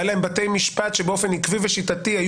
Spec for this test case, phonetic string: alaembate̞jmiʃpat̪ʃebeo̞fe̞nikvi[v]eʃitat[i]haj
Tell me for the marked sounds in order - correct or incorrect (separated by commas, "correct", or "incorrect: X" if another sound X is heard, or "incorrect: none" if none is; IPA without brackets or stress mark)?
correct, correct